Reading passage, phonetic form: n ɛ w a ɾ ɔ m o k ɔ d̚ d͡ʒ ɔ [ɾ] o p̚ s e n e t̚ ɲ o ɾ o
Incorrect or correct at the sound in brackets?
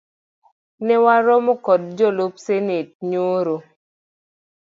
incorrect: l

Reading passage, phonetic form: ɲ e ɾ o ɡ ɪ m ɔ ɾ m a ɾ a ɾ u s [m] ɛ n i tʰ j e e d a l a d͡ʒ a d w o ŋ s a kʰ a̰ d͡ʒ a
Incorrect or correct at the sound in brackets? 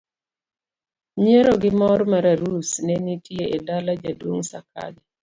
incorrect: n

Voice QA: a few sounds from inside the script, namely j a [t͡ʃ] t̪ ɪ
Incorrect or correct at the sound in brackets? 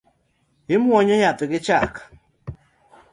incorrect: none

